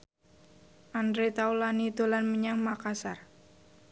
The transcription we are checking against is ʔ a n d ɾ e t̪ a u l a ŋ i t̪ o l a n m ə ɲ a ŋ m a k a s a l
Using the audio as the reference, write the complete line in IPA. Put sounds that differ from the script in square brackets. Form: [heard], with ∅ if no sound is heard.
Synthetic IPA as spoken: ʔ a n d ɾ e t̪ a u l a [n] i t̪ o l a n m ə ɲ a ŋ m a k a s a [r]